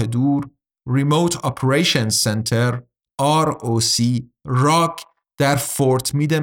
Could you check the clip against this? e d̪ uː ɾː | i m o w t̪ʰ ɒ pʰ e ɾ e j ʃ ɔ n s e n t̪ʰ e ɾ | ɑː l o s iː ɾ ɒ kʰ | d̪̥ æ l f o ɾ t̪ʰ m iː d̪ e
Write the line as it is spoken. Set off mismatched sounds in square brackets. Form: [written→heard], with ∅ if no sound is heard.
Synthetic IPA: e d̪ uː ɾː | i m o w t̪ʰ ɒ pʰ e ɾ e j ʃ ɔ n s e n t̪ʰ e ɾ | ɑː [l→ɾ] o s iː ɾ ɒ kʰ | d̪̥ æ [l→ɾ] f o ɾ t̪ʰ m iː d̪ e